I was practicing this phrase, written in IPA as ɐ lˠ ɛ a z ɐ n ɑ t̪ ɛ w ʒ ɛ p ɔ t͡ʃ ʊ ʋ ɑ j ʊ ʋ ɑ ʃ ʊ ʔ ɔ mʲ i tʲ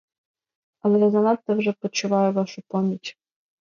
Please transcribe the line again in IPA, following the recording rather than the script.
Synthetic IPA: ɐ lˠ ɛ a z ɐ n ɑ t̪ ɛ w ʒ ɛ p ɔ t͡ʃ ʊ ʋ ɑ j ʊ ʋ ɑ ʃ ʊ p ɔ mʲ i tʲ

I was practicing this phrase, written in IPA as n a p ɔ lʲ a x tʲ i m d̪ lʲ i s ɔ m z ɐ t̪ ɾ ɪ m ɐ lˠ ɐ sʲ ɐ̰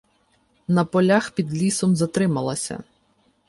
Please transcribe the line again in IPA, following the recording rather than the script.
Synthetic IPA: n ɐ p ɔ lʲ a x pʲ i d̪ lʲ i s ɔ m z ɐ t̪ ɾ ɪ m ɐ lˠ ɐ sʲ ɐ̰

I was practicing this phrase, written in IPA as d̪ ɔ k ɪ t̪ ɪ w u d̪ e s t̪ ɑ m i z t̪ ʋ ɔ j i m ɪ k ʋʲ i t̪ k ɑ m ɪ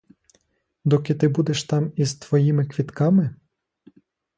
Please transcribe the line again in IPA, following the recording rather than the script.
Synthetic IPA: d̪ ɔ k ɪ t̪ ɪ b u d̪ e ʃ t̪ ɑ m i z t̪ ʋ ɔ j i m ɪ k ʋʲ i t̪ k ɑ m ɪ

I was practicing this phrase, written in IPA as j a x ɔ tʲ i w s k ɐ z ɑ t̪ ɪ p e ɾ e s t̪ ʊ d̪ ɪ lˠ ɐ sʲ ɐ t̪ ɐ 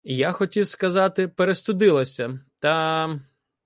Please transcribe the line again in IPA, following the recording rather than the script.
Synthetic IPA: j a x ɔ tʲ i w s k ɐ z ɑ t̪ ɪ p e ɾ e s t̪ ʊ d̪ ɪ lˠ ɐ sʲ ɐ t̪ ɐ

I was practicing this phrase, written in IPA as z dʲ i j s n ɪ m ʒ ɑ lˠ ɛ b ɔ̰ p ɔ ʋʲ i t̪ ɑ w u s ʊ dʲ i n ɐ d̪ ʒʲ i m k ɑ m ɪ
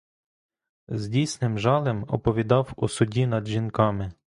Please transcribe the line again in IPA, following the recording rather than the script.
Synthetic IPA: z dʲ i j s n ɪ m ʒ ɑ lˠ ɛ m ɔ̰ p ɔ ʋʲ i d̪ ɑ w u s ʊ dʲ i n ɐ d̪ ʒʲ i n k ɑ m ɪ

